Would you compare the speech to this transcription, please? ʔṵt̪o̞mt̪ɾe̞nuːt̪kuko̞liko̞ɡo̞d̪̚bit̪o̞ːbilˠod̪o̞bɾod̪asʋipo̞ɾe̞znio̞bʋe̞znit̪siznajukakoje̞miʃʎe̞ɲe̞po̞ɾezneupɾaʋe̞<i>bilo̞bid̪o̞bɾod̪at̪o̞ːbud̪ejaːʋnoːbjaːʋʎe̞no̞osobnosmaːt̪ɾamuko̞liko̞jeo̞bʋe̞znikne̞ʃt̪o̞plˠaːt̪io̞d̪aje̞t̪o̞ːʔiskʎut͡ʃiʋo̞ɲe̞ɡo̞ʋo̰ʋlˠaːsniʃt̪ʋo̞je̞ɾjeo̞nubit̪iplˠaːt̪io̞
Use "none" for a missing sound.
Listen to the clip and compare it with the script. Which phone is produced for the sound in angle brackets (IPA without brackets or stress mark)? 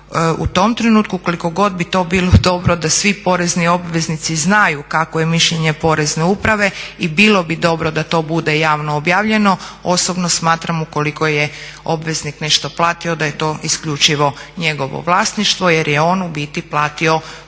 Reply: i